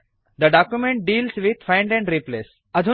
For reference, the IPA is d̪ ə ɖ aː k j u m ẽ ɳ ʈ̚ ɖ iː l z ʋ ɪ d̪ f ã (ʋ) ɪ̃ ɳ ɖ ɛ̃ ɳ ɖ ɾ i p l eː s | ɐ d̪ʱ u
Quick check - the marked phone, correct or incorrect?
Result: incorrect